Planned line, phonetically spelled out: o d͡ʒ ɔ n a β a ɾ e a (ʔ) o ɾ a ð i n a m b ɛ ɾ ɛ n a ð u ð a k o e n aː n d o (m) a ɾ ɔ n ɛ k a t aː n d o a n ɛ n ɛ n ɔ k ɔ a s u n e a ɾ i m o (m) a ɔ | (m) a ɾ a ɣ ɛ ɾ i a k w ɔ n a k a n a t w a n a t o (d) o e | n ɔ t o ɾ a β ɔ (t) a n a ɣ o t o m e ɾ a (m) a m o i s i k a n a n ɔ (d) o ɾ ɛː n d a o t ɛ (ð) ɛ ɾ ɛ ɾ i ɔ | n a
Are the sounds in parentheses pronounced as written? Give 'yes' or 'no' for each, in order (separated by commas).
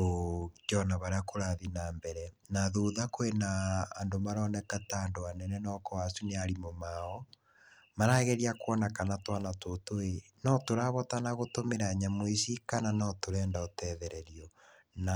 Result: no, yes, yes, yes, no, yes, no, no, yes